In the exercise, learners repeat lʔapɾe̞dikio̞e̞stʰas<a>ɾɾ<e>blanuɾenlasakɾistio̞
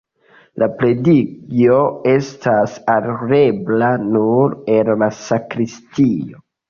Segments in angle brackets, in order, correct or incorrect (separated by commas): correct, correct